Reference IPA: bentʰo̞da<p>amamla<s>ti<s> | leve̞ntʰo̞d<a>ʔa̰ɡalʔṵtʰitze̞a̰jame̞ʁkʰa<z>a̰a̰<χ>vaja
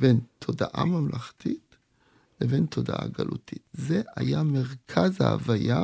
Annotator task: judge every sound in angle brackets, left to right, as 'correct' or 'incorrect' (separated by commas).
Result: incorrect, incorrect, incorrect, correct, correct, incorrect